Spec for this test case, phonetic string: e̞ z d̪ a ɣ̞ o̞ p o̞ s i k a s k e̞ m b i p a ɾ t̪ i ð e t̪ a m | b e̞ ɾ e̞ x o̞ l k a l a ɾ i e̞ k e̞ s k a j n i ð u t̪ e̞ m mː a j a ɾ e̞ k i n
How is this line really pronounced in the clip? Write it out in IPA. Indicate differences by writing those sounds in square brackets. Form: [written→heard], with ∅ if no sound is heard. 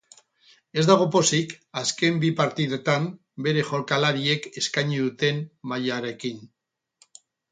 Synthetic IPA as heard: e̞ z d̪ a ɣ̞ o̞ p o̞ s i k a s k e̞ m b i p a ɾ t̪ i ð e t̪ a m | b e̞ ɾ e̞ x o̞ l k a l a ɾ i e̞ k e̞ s k a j [n→ɲ] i ð u t̪ e̞ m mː a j a ɾ e̞ k i n